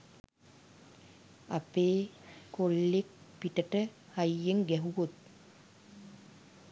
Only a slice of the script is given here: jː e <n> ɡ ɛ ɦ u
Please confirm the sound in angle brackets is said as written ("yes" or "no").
no